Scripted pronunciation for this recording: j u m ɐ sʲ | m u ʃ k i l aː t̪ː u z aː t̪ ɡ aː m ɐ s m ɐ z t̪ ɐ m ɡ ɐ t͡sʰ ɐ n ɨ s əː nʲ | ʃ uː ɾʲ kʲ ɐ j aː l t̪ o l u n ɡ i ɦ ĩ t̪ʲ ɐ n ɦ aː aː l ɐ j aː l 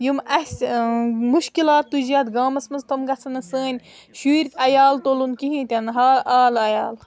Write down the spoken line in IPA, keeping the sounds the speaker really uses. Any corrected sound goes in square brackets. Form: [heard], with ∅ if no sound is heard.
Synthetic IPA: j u m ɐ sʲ | m u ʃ k i l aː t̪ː u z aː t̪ ɡ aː m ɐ s m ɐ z t̪ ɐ m ɡ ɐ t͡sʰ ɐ n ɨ s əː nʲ | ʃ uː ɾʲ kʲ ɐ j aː l t̪ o l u n [k] i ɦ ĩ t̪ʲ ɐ n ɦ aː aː l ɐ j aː l